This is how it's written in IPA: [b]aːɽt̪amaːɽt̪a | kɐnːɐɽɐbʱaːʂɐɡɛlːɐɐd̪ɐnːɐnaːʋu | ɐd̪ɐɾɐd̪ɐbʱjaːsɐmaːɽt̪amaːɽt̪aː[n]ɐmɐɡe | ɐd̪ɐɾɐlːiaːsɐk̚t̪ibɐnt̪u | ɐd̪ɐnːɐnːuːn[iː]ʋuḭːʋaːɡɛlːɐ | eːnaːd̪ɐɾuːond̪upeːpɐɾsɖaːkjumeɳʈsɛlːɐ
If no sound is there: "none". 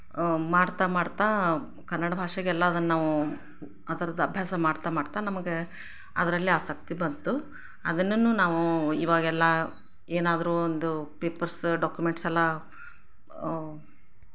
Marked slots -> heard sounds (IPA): m, n, aː

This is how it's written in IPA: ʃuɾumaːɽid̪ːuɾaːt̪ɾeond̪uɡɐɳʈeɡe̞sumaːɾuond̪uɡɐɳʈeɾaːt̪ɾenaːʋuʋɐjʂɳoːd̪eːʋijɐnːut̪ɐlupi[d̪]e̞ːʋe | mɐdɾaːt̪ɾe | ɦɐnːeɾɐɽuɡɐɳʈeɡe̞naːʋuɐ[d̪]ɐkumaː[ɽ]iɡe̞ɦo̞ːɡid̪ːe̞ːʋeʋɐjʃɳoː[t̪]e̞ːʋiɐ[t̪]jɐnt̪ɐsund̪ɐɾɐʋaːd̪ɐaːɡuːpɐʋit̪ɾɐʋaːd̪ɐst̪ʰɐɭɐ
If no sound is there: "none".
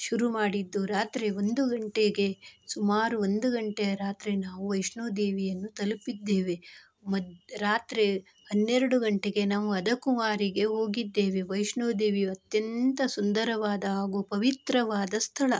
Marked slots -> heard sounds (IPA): d̪ː, d̪, ɾ, d̪, t̪

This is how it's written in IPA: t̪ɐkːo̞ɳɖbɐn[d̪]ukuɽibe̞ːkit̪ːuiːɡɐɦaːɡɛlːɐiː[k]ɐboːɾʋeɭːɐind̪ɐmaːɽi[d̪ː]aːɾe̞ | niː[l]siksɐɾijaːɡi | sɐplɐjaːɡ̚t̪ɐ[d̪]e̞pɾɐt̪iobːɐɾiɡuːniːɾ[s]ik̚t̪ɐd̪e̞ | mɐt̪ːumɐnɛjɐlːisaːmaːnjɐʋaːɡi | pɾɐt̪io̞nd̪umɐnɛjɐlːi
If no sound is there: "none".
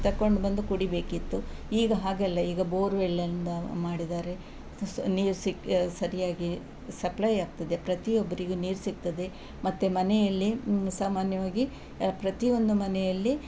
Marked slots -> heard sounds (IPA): d̪, ɡ, d̪, ɾ, d̪, s

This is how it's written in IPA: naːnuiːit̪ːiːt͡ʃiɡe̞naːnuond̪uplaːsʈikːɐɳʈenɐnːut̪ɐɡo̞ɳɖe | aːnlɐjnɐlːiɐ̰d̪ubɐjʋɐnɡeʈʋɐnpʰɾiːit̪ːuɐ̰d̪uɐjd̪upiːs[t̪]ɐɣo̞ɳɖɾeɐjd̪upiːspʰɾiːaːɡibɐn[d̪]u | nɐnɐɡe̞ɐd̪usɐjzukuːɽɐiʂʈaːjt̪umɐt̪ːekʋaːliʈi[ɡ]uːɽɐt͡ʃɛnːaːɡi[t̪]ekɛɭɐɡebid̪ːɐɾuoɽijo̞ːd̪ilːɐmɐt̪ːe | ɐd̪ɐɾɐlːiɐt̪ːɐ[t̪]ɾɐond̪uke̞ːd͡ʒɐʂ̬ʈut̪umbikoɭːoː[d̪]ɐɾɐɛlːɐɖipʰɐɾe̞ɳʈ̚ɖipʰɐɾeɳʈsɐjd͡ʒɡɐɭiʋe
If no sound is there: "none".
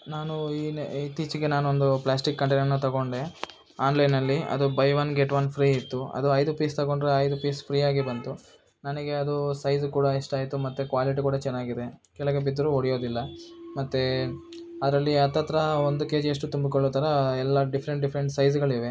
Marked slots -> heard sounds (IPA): t̪, t̪, k, d̪, t̪, t̪

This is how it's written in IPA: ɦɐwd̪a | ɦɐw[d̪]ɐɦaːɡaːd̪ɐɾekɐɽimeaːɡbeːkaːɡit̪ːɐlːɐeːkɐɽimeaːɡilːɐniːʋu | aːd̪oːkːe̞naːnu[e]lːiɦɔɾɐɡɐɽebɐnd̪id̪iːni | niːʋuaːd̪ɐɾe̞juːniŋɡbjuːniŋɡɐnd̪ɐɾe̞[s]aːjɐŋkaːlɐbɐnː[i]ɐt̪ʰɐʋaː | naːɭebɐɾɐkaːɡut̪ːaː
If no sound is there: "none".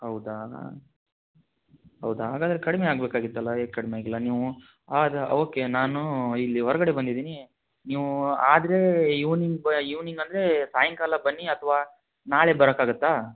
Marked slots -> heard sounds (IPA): d̪, i, s, i

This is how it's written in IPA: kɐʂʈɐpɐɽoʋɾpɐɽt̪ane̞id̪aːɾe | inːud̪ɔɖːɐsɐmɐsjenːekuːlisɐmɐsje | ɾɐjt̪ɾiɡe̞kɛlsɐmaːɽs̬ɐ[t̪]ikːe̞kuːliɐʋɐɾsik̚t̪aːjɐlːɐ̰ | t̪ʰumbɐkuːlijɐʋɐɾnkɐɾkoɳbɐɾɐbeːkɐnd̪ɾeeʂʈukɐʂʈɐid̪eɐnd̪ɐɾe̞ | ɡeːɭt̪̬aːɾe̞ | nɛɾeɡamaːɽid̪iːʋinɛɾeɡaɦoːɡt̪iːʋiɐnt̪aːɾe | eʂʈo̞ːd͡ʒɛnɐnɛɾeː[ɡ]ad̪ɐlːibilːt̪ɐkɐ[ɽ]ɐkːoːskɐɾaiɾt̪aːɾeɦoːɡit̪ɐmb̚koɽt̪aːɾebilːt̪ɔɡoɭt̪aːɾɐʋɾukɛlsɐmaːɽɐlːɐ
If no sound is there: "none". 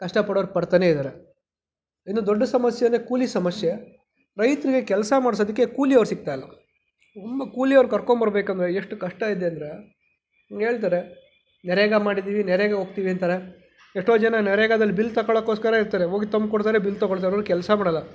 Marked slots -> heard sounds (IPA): d̪, ɡ, ɭ

